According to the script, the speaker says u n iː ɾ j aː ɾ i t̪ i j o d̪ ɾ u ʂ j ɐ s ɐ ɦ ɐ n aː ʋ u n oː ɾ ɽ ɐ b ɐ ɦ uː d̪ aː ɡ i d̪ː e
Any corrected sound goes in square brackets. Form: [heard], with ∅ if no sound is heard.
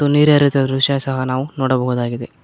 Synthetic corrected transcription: u n iː ɾ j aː ɾ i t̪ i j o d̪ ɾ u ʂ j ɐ s ɐ ɦ ɐ n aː ʋ u n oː [∅] ɽ ɐ b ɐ ɦ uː d̪ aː ɡ i [d̪] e